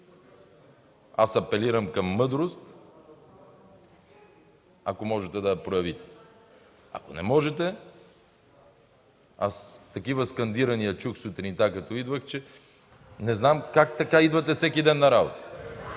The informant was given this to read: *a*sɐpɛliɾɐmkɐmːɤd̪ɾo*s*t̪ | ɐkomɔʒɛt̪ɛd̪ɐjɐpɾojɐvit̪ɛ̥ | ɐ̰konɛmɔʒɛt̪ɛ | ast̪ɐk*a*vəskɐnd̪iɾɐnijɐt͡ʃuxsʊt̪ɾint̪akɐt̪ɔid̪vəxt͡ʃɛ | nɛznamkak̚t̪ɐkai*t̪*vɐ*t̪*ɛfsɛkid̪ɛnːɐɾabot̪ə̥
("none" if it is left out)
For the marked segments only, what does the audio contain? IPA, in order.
a, s, i, d̪, t̪

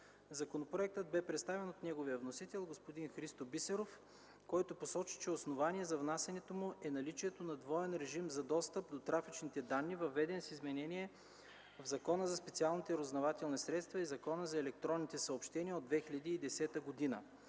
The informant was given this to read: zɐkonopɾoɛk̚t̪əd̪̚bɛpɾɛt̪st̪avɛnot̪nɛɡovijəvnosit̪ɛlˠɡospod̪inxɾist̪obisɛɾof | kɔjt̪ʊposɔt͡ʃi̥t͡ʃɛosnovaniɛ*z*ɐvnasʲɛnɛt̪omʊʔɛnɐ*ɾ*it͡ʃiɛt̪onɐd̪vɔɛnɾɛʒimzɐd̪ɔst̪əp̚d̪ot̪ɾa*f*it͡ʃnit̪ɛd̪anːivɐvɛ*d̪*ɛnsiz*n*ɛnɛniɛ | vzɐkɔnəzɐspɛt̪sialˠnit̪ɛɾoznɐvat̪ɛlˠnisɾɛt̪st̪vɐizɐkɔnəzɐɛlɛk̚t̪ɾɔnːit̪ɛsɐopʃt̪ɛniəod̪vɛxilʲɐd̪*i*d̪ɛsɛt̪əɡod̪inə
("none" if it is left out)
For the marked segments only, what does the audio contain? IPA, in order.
z, l, f, d̪, m, iː

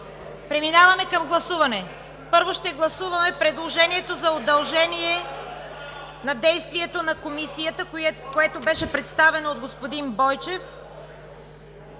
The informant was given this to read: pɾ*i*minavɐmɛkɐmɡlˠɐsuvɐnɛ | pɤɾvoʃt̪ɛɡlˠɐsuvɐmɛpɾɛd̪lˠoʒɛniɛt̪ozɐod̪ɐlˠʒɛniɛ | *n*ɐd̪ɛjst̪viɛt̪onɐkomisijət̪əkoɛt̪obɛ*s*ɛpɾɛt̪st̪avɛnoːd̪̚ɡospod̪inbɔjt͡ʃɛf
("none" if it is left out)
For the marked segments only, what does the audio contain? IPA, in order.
ɛ, n, ʃ

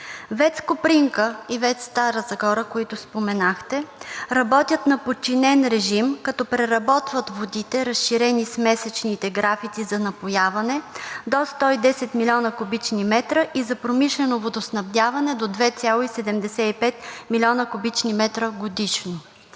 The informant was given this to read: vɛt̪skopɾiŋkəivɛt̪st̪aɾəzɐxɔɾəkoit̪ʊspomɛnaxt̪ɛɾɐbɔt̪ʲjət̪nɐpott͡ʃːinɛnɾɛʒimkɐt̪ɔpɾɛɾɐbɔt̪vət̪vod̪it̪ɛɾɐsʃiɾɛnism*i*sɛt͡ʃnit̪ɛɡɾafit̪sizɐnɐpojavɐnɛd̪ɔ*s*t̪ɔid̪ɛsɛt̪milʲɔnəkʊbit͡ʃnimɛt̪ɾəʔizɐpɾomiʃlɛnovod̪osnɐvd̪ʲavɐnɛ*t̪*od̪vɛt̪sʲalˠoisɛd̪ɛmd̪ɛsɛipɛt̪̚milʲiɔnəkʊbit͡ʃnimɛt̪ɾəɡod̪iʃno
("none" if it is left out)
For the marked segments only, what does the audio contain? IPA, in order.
ɛ, s, d̪

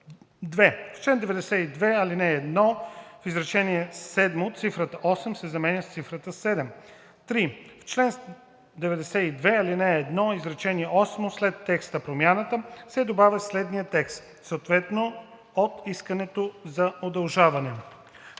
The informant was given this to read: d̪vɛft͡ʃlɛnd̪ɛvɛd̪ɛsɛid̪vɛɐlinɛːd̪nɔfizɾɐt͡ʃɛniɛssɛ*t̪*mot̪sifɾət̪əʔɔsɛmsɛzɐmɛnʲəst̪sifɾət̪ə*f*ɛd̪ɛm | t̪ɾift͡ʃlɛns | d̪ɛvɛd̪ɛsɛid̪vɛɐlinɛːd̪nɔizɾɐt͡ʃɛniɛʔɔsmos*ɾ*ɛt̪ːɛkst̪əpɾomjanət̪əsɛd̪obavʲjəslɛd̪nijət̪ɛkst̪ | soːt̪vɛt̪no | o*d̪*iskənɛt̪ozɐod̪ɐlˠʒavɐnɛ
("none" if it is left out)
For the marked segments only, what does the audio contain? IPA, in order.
d̪, s, l, t̪

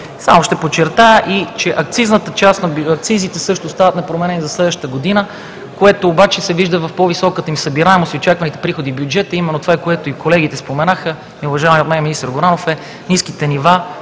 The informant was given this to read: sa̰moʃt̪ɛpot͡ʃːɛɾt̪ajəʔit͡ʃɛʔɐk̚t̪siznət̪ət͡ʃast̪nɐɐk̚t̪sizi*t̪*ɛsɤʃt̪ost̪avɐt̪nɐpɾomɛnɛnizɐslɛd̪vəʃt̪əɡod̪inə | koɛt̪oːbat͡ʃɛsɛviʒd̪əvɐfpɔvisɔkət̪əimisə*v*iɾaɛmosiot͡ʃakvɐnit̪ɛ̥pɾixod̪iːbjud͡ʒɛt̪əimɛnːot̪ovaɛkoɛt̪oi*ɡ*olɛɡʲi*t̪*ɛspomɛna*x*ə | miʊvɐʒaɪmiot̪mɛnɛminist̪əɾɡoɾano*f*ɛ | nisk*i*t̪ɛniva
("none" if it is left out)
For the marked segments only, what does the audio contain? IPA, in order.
t̪, b, k, t̪, x, f, i

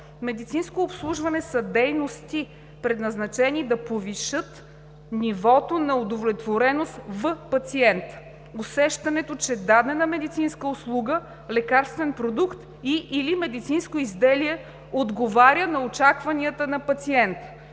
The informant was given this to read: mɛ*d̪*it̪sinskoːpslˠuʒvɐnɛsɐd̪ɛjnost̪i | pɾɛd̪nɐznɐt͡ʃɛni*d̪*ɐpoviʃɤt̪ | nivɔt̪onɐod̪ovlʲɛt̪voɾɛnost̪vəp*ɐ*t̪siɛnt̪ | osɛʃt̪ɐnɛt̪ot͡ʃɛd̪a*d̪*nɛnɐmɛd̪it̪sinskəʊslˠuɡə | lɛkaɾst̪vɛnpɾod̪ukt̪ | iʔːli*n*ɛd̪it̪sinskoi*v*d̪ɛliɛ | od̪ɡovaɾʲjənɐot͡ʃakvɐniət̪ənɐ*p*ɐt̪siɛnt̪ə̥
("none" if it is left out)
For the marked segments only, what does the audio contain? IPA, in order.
d̪, d̪, ɐ, d̪, m, z, p

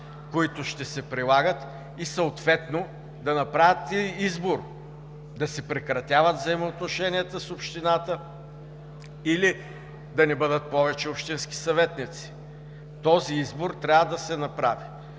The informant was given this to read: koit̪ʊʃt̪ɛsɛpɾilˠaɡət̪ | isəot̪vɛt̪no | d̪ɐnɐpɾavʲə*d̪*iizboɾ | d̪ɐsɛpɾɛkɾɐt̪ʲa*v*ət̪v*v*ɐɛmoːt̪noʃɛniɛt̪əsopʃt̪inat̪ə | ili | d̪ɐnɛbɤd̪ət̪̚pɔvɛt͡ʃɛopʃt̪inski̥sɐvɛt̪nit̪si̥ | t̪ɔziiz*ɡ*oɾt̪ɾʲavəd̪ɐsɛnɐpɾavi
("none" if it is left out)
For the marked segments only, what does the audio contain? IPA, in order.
t̪, v, z, b

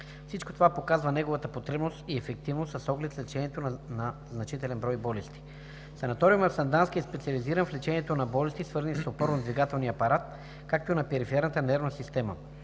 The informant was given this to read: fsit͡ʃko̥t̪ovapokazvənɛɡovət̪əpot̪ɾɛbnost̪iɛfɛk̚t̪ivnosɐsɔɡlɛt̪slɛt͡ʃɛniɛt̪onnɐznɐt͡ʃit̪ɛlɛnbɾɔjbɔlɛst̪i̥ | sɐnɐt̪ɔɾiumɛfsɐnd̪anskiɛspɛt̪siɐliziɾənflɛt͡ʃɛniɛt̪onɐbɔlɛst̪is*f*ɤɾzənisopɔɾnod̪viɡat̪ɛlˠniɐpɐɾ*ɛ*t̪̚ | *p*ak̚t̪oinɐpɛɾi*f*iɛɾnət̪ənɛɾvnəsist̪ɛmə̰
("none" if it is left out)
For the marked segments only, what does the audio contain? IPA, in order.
v, a, k, f

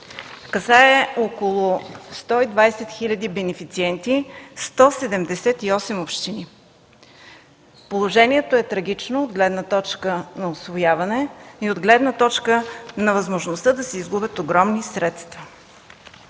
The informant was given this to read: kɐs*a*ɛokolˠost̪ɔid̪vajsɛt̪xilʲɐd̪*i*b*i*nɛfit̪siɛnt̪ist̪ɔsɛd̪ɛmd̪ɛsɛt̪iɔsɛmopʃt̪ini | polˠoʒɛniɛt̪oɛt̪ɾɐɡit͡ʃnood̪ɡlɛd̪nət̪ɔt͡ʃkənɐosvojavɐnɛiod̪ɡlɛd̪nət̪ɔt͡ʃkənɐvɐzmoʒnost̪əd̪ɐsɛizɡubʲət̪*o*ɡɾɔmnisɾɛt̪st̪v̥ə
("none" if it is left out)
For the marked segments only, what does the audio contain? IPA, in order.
a, i, ɛ, o

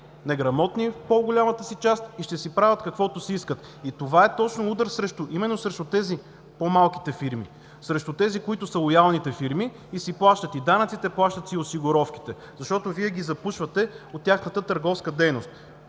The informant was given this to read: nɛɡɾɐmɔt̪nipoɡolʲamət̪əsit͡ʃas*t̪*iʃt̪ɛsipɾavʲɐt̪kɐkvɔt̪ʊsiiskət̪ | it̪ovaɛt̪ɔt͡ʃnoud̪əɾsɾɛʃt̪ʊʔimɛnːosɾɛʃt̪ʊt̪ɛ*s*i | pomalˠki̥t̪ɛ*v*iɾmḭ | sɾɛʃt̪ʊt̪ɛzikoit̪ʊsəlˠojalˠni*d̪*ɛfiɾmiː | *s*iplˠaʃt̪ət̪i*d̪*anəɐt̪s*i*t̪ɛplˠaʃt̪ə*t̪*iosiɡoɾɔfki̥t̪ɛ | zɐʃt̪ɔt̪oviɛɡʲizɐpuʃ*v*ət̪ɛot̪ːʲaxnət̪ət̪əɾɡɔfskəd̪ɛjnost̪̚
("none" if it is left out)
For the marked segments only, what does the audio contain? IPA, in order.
t̪, z, f, t̪, s, d̪, i, t̪, v

